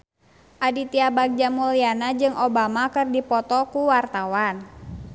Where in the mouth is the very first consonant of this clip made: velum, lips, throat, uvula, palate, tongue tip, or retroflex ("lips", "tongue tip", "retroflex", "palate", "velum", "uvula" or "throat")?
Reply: throat